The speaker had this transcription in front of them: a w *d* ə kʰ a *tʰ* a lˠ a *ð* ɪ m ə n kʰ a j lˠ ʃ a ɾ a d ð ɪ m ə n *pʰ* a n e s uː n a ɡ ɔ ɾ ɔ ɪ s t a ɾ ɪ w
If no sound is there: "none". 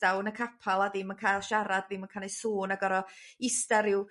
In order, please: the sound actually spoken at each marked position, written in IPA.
n, pʰ, ð, kʰ

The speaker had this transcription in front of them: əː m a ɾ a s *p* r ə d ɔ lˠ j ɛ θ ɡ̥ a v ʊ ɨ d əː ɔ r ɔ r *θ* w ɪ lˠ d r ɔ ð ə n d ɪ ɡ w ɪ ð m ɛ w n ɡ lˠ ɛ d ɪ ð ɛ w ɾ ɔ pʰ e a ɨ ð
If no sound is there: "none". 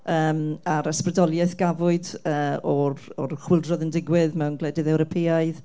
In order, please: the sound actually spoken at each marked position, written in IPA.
p, χ

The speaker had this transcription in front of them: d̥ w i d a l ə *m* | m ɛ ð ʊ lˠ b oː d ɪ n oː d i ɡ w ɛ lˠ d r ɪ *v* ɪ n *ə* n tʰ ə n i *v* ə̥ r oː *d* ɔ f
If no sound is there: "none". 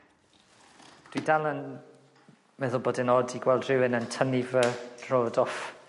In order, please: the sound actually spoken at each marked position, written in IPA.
n, w, ə, v, d

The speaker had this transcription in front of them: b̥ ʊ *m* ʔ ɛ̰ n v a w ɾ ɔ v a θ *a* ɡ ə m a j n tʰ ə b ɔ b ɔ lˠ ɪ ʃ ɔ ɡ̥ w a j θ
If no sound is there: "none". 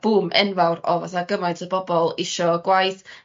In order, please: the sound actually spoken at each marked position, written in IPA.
m, a

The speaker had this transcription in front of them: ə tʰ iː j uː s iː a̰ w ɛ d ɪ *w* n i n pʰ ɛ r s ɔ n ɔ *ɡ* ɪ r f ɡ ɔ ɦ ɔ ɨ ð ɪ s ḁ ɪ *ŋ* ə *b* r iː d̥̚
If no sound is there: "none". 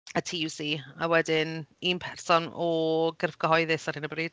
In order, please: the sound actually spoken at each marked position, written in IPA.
none, ɡ, n, b

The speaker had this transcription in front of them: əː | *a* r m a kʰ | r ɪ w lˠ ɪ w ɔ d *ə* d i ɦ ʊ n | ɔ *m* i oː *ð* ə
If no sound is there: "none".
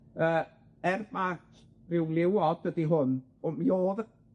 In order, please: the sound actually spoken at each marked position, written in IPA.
ɛ, ə, m, ð

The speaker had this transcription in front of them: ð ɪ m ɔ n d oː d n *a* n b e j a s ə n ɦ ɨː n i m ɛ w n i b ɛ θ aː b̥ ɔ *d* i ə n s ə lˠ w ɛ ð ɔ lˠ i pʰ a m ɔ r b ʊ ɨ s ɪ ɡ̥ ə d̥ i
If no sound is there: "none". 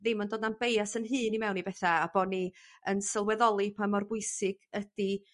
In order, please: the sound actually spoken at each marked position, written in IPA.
a, n

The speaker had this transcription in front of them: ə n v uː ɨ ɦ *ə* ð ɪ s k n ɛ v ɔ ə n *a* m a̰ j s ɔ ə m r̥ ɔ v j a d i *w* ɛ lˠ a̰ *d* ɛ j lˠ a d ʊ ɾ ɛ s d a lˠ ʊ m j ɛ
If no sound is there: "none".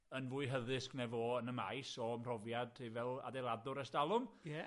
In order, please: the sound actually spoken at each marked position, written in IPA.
ə, ə, v, d

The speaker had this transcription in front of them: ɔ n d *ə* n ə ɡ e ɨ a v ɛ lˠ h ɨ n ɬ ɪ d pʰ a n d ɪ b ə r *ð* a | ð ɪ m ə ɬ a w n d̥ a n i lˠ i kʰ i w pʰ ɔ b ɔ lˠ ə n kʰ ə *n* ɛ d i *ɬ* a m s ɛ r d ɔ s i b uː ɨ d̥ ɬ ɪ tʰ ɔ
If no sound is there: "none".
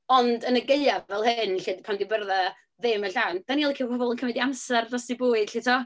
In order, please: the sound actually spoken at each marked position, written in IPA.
ə, ð, m, none

